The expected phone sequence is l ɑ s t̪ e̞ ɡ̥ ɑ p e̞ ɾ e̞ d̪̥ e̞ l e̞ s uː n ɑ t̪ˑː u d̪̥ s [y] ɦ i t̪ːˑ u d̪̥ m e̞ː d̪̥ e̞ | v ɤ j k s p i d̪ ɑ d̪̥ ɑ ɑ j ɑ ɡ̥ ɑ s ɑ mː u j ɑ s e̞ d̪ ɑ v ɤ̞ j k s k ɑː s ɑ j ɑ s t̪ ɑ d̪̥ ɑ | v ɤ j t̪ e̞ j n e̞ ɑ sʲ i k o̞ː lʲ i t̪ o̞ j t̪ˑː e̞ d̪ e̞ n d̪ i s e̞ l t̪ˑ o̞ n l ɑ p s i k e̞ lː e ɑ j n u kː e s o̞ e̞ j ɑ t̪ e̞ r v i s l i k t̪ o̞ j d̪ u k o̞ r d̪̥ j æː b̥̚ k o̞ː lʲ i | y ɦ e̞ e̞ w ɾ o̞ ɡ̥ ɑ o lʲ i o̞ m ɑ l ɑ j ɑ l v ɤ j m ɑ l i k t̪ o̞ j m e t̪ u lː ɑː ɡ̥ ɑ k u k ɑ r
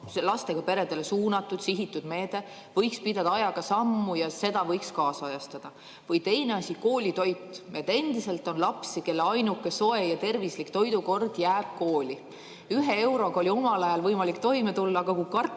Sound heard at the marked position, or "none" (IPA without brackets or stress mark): i